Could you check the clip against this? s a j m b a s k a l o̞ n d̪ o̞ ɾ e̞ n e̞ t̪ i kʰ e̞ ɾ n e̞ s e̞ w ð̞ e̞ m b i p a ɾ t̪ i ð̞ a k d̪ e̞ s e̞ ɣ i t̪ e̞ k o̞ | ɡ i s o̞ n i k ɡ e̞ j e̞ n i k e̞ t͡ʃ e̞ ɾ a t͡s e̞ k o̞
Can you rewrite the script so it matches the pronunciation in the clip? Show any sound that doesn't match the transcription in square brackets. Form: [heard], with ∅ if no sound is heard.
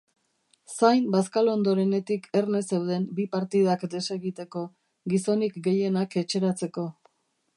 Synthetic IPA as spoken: s a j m b a s k a l o̞ n d̪ o̞ ɾ e̞ n e̞ t̪ i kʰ e̞ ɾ n e̞ s e̞ w ð̞ e̞ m b i p a ɾ t̪ i ð̞ a k d̪ e̞ s e̞ ɣ i t̪ e̞ k o̞ | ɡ i s o̞ n i k ɡ e̞ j e̞ n [a] k e̞ t͡ʃ e̞ ɾ a t͡s e̞ k o̞

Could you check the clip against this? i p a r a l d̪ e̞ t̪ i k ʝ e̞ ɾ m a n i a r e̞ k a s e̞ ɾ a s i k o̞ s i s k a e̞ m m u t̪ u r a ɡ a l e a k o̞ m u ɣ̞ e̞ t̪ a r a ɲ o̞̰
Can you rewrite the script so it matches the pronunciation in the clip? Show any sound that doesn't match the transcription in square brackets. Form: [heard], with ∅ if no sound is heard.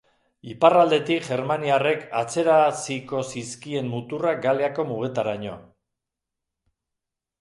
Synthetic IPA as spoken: i p a r a l d̪ e̞ t̪ i k ʝ e̞ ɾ m a n i a r e̞ k a [t͡s] e̞ ɾ a s i k o̞ s i s k [i] e̞ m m u t̪ u r a ɡ a l e a k o̞ m u ɣ̞ e̞ t̪ a [ɾ] a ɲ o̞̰

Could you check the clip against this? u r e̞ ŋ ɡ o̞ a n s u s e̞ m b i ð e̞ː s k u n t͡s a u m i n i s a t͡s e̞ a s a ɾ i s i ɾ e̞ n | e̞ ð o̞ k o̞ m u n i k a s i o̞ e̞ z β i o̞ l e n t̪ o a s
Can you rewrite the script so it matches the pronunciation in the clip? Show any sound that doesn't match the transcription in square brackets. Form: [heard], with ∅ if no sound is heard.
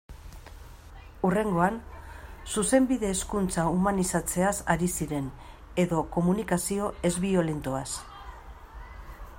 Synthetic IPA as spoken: u r e̞ ŋ ɡ o̞ a n s u s e̞ m b i ð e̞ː s k u n t͡s a u m [a] n i s a t͡s e̞ a s a ɾ i s i ɾ e̞ n | e̞ ð o̞ k o̞ m u n i k a s i o̞ e̞ z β i o̞ l e n t̪ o a s

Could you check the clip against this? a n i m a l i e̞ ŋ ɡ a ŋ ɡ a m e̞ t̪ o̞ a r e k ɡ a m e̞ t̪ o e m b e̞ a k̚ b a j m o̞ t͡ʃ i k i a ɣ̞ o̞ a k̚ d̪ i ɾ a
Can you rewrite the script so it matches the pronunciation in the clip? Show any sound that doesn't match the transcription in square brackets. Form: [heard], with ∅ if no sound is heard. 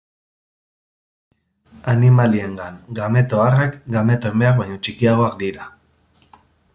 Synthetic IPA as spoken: a n i m a l i e̞ ŋ ɡ a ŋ ɡ a m e̞ t̪ o̞ a r e k ɡ a m e̞ t̪ o e m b e̞ a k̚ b a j [ɲ] o̞ t͡ʃ i k i a ɣ̞ o̞ a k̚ d̪ i ɾ a

